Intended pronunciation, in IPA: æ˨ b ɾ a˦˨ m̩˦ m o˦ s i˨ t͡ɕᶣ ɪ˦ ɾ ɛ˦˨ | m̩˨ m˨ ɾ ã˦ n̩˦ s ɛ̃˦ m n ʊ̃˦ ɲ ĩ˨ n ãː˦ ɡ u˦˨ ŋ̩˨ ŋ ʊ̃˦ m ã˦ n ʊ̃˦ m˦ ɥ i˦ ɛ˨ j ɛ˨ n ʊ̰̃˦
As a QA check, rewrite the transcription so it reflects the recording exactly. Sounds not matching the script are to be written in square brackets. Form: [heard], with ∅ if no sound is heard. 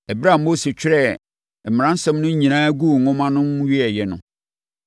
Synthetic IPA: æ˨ b ɾ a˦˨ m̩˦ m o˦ s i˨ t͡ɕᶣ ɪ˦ ɾ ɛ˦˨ | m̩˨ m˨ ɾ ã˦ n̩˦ s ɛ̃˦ m n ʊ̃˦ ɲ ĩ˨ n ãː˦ ɡ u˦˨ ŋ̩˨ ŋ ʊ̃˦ m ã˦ n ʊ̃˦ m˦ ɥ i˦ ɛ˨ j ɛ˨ n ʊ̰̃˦